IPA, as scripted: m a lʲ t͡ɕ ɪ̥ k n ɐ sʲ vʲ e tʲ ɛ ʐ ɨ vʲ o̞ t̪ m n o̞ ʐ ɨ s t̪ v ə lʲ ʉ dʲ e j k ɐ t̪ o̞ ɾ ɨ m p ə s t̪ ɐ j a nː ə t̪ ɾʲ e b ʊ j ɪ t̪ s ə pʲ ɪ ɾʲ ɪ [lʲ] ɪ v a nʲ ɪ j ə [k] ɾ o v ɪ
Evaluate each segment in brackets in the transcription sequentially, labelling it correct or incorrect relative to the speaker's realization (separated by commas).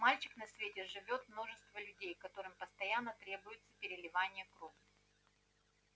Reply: correct, correct